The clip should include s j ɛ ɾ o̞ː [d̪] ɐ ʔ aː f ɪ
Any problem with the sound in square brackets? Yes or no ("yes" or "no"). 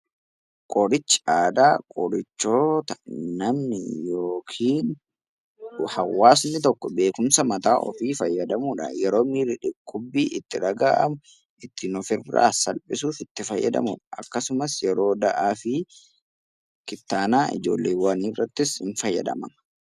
no